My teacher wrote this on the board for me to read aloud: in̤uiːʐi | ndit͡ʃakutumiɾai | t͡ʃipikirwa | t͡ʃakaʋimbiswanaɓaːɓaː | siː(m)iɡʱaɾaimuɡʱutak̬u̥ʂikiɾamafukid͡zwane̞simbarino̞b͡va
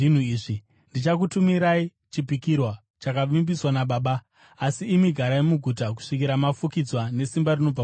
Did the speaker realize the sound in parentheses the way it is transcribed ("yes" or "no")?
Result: yes